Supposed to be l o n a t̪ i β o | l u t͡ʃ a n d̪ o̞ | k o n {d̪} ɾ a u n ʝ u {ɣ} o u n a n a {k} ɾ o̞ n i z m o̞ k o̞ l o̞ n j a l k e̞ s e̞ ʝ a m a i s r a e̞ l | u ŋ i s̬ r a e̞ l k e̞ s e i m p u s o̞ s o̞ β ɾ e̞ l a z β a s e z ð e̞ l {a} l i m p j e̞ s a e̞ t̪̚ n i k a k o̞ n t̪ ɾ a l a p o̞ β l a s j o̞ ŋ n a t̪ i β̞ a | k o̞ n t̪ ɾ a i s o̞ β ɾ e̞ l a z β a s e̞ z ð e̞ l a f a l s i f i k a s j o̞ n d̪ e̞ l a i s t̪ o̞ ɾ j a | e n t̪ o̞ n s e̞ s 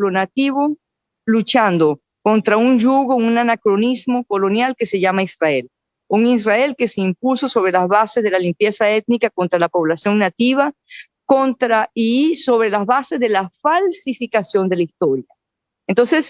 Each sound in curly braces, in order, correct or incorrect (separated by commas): incorrect, correct, correct, correct